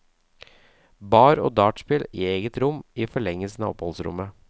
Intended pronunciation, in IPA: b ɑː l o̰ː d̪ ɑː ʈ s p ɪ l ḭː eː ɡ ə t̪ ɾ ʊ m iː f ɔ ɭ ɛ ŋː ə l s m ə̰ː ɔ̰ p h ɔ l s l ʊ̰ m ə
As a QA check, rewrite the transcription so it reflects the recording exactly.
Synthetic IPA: b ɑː ɾ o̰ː d̪ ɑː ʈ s p ɪ l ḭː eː ɡ ə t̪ ɾ ʊ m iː f ɔ ɭ ɛ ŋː ə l s n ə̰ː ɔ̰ p h ɔ l s ɾ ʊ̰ m ə